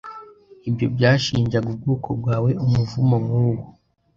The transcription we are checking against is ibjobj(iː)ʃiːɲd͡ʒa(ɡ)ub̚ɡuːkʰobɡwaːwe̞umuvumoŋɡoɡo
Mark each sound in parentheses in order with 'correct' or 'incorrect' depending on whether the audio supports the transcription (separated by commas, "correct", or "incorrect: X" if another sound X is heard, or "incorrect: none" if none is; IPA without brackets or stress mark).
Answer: incorrect: aː, correct